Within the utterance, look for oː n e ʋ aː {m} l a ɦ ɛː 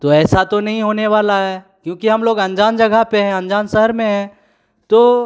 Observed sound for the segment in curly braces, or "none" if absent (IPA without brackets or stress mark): none